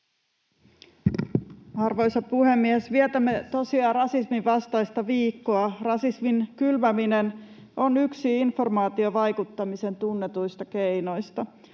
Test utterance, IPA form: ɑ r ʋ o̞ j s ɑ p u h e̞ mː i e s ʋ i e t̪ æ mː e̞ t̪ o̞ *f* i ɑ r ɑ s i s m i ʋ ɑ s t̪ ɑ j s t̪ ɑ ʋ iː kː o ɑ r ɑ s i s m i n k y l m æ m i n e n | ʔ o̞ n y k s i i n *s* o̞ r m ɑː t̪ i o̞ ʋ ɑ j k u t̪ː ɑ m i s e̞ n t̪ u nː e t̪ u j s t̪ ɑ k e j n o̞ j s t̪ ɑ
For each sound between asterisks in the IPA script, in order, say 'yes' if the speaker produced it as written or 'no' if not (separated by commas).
no, no